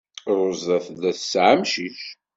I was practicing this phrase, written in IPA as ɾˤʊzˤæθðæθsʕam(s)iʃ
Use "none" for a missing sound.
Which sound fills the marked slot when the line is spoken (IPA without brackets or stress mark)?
ʃ